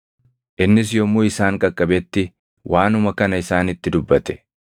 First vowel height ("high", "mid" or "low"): high